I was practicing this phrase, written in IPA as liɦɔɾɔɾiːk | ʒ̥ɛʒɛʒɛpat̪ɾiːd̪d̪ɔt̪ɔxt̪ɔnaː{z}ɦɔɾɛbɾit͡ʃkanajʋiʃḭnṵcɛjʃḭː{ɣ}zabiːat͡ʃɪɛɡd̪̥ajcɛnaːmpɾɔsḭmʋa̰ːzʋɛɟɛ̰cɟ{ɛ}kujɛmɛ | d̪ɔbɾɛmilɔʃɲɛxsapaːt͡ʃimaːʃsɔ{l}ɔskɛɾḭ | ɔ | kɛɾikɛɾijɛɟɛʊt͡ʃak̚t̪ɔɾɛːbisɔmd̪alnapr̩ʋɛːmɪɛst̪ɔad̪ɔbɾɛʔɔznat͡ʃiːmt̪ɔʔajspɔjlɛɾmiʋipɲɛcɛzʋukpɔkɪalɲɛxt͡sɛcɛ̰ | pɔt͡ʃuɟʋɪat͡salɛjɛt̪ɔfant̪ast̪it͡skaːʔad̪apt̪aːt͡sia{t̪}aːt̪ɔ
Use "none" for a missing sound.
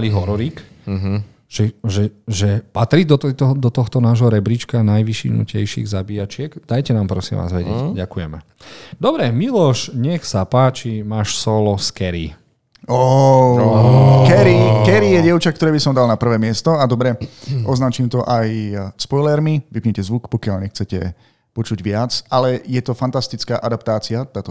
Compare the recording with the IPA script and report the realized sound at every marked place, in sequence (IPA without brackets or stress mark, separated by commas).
ʒ, ɣ, a, l, t̪